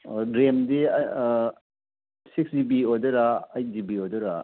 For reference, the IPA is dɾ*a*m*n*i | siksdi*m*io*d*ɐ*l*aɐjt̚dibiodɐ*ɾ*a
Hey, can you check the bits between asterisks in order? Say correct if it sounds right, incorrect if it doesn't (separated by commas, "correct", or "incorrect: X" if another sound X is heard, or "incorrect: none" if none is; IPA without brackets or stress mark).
incorrect: e, incorrect: d, incorrect: b, correct, incorrect: ɾ, correct